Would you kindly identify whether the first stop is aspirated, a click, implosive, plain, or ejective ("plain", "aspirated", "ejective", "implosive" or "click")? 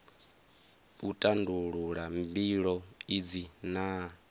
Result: ejective